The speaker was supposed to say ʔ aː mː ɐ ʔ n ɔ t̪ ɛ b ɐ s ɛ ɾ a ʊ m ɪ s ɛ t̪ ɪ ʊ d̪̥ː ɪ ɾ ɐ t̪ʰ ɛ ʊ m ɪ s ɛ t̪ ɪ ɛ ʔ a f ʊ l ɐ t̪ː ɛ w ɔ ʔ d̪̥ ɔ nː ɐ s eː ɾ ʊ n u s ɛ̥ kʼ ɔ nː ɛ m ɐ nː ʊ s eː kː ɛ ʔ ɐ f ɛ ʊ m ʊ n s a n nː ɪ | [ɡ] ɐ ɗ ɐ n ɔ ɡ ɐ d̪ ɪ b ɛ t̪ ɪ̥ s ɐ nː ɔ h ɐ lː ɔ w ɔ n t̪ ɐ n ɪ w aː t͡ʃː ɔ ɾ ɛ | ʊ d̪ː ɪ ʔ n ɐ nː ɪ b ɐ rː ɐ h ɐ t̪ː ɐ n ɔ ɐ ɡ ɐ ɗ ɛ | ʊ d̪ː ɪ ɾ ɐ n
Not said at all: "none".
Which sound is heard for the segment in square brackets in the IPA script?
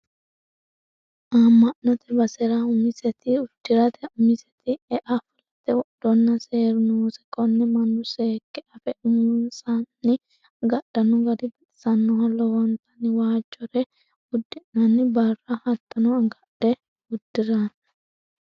ɡ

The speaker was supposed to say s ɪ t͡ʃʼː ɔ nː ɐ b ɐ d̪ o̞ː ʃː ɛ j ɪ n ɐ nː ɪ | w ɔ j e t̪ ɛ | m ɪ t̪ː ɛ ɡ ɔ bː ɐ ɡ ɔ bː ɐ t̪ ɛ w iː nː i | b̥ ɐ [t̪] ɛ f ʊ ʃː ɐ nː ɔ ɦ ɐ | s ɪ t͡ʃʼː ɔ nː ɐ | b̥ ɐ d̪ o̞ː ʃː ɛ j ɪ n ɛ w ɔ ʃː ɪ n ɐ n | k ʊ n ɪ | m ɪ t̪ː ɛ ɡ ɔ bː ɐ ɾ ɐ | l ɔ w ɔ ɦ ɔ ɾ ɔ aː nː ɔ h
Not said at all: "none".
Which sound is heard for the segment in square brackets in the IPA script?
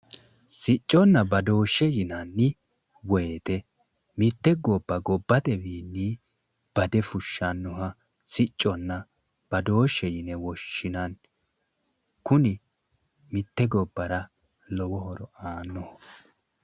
d̪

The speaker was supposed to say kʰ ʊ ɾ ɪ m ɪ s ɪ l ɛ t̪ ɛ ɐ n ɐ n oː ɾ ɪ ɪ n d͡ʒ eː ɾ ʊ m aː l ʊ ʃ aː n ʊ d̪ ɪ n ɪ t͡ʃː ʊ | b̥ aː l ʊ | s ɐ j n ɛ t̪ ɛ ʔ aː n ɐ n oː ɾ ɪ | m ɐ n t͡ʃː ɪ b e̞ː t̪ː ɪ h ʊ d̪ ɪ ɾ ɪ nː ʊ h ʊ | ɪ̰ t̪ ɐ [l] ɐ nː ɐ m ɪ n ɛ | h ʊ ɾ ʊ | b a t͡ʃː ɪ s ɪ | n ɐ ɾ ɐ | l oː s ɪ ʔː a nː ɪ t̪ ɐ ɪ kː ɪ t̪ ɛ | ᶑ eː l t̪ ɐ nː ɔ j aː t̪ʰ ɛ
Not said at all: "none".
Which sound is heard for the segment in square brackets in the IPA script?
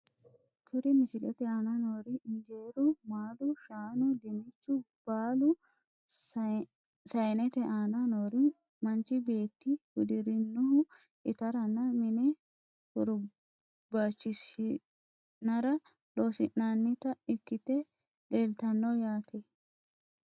ɾ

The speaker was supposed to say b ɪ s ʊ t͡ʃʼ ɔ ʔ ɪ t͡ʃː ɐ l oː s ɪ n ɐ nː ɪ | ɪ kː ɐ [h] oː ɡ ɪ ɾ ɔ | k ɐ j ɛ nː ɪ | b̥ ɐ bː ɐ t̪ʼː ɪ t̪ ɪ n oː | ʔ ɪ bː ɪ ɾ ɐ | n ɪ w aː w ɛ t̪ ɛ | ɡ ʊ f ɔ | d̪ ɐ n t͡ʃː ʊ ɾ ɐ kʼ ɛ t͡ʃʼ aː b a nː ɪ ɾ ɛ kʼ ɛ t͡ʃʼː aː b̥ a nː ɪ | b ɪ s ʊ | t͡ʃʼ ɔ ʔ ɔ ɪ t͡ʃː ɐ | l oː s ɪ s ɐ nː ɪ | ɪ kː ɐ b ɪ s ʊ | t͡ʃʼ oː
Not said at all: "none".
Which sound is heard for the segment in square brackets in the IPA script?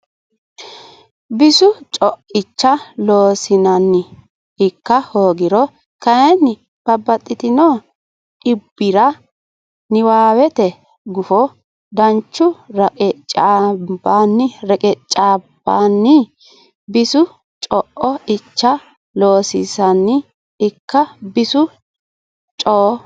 h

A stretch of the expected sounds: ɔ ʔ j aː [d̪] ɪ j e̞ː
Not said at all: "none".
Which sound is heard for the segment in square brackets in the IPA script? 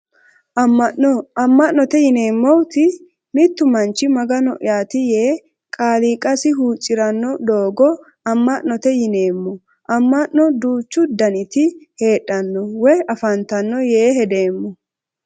t̪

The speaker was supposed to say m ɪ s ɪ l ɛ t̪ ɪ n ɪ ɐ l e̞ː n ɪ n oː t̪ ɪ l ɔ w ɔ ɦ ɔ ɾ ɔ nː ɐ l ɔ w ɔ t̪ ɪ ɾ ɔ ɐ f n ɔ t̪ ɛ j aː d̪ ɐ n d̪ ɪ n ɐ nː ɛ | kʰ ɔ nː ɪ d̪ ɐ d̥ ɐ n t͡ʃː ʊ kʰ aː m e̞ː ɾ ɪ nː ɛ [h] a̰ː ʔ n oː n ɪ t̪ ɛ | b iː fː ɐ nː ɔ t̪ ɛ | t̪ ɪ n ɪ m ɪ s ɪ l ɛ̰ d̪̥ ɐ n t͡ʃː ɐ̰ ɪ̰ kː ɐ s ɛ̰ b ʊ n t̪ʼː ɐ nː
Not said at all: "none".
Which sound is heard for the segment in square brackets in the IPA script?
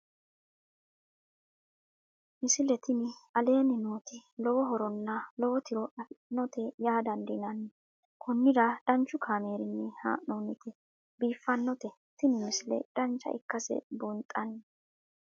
h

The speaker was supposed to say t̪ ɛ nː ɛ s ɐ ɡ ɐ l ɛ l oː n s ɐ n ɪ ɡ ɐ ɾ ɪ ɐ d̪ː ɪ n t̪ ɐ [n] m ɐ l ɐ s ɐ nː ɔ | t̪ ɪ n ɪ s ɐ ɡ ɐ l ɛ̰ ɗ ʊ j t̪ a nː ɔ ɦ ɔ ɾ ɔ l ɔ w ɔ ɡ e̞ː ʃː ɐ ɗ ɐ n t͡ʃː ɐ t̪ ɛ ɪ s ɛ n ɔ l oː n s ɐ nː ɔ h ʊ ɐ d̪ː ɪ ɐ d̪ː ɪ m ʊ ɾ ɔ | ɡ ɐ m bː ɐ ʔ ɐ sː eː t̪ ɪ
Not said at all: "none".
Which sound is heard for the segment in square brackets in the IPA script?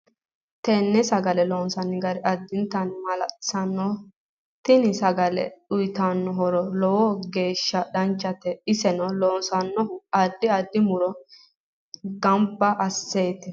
n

